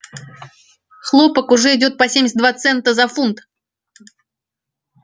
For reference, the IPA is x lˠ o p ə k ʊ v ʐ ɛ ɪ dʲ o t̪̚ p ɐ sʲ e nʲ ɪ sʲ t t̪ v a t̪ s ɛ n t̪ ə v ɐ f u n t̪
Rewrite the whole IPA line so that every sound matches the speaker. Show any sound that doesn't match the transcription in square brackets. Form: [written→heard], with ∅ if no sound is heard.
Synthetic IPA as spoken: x lˠ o p ə k ʊ [v→∅] ʐ ɛ ɪ dʲ o t̪̚ p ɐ sʲ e [nʲ→mʲ] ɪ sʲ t [t̪→d̪] v a t̪ s ɛ n t̪ ə [v→z] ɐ f u n t̪